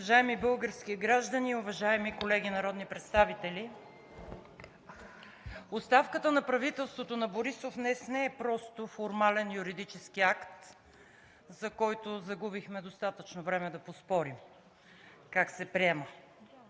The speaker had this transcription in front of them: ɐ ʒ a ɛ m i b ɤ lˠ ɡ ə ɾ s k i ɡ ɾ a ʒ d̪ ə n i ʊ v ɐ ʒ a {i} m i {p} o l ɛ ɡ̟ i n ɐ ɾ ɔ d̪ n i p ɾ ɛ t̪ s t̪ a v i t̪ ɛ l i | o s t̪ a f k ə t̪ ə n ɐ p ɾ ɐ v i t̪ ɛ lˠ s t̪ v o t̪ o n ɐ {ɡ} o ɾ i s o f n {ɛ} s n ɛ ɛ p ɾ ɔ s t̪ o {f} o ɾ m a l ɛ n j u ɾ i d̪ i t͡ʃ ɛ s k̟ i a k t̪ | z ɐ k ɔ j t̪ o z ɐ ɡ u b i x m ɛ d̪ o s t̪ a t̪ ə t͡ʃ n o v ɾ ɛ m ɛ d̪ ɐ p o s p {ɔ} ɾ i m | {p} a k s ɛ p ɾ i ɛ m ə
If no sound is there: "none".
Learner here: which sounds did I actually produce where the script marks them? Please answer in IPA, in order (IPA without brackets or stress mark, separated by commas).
ɛ, k, b, ɛ, f, ɔ, k